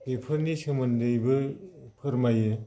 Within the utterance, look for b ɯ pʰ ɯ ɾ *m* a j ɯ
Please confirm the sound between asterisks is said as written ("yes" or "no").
yes